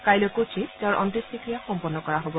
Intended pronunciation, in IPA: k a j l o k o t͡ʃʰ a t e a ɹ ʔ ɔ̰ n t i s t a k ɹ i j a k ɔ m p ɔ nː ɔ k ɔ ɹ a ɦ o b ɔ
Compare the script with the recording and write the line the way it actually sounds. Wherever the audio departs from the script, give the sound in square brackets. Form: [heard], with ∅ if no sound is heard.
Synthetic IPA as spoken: k a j l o k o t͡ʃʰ [i] t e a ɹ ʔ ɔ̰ n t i s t [i] k ɹ i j a [x] ɔ m p ɔ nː ɔ k ɔ ɹ a ɦ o b ɔ

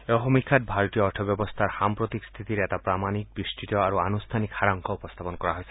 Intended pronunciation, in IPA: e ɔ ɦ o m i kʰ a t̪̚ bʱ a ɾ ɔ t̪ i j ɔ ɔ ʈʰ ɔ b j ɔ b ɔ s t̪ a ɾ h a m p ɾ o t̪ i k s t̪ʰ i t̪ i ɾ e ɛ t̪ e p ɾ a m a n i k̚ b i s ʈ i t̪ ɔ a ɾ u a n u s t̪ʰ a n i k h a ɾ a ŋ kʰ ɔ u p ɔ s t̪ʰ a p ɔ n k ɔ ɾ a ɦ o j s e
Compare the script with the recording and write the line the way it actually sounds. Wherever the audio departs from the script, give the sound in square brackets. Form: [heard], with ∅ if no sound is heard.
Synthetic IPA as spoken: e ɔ ɦ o m i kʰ a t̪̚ bʱ a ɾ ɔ t̪ i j ɔ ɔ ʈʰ ɔ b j ɔ b ɔ s [t̪ʰ] a ɾ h a m p ɾ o t̪ i k s t̪ʰ i t̪ i ɾ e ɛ t̪ [a] p ɾ a m a n i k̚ b i s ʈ i t̪ ɔ a ɾ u a n u s t̪ʰ a n i k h a ɾ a ŋ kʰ ɔ u p ɔ s t̪ʰ a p ɔ n k ɔ ɾ a ɦ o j s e

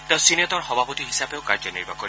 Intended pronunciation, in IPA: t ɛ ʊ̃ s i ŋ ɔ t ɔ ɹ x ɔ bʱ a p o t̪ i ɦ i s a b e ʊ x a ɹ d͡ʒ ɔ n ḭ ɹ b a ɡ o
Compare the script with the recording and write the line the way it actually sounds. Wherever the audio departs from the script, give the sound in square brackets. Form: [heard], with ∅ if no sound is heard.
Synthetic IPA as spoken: t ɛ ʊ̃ s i [n] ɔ t ɔ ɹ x ɔ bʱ a p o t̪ i ɦ i s a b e ʊ [k] a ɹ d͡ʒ ɔ n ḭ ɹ b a [k] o

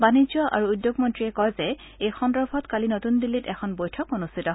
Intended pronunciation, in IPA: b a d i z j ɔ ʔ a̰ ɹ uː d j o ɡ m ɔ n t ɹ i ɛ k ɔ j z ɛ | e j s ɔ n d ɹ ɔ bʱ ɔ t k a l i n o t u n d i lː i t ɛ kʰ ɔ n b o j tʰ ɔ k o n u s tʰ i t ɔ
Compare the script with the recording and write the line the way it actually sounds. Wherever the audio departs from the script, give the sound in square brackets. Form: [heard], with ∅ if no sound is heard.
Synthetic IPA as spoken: b a [n] i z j ɔ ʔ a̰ ɹ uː d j o ɡ m ɔ n t ɹ i ɛ k ɔ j z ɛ | e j [x] ɔ n d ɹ ɔ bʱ ɔ t k a l i n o t u n d i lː i t ɛ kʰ ɔ n b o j tʰ ɔ k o n u s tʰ i t ɔ

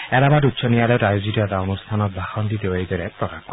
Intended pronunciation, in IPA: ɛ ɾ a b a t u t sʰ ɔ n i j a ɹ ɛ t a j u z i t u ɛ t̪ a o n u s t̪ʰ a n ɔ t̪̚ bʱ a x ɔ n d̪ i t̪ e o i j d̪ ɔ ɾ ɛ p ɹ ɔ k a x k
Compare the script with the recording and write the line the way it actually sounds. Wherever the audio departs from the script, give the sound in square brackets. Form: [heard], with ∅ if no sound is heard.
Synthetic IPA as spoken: ɛ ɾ a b a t u t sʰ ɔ n i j a [l] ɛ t a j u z i t [ɔ] ɛ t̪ a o n u s t̪ʰ a n ɔ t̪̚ bʱ a x ɔ n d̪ i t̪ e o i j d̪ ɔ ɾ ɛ p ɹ ɔ k a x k

